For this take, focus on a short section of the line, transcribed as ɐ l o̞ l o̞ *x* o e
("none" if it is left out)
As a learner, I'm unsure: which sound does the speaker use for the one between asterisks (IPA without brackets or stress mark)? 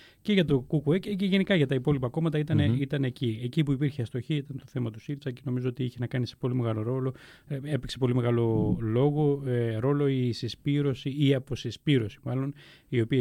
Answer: ɣ